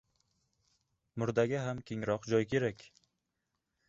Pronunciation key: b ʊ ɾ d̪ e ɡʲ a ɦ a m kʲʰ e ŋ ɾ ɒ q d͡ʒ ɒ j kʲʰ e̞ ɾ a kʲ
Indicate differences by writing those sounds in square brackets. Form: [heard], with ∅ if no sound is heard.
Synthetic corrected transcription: [m] ʊ ɾ d̪ [a] ɡʲ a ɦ a m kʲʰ e ŋ ɾ ɒ q d͡ʒ ɒ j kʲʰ e̞ ɾ a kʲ